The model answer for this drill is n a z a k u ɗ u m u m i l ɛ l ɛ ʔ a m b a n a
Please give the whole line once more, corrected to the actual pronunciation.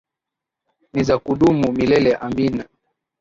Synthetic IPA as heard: n i z a k u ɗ u m u m i l ɛ l ɛ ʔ a m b i n a